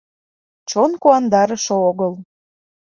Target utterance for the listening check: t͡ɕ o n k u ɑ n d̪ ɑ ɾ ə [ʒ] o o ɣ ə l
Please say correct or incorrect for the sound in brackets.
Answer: incorrect